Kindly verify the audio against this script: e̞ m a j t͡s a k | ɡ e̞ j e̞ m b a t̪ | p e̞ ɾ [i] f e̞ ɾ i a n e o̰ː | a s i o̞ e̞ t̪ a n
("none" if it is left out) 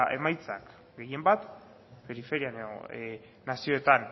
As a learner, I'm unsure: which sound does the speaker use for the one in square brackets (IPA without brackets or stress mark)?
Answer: i